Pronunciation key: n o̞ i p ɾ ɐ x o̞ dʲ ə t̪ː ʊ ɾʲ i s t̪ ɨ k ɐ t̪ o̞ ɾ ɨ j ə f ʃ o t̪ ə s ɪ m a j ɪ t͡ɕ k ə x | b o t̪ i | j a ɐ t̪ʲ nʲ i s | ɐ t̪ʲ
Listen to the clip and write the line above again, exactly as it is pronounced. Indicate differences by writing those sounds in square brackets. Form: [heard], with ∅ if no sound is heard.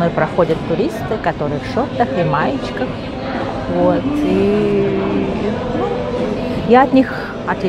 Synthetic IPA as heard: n o̞ [j] p ɾ ɐ x o̞ dʲ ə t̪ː ʊ ɾʲ i s t̪ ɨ k ɐ t̪ o̞ ɾ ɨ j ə f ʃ o t̪ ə [x] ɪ m a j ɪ t͡ɕ k ə x | [v] o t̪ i | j a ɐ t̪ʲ nʲ i [x] | ɐ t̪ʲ